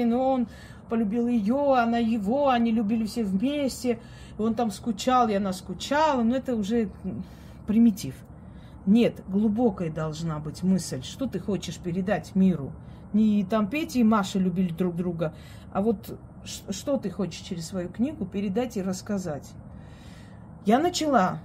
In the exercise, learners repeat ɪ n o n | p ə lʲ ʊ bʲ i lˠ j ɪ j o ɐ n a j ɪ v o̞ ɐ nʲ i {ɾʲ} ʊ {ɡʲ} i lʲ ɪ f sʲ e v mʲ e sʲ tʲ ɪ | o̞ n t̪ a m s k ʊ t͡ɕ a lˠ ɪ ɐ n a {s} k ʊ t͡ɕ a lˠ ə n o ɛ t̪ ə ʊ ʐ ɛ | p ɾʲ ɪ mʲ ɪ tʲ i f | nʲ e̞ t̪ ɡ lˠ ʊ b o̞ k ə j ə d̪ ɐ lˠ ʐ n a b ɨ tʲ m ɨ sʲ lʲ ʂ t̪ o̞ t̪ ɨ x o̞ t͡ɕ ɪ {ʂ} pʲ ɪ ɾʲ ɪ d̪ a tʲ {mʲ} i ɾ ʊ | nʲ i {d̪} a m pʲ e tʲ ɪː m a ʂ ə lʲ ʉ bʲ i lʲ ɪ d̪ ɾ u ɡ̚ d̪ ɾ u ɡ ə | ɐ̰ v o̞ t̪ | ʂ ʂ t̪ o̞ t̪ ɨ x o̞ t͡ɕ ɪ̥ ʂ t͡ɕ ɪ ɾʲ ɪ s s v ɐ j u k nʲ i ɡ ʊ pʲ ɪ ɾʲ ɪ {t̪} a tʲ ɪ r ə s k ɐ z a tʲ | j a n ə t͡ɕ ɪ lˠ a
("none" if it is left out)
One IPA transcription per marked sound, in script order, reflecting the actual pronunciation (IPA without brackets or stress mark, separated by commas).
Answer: lʲ, bʲ, s, ʂ, mʲ, t̪, d̪